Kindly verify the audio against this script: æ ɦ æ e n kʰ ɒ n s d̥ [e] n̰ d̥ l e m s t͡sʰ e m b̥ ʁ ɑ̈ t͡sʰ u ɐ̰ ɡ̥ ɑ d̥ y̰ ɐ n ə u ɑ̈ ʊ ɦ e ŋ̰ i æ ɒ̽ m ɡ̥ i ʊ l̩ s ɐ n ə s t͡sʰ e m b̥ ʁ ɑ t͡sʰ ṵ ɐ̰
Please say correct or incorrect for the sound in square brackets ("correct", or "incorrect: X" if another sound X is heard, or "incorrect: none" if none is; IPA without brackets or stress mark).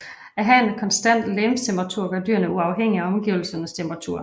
incorrect: æ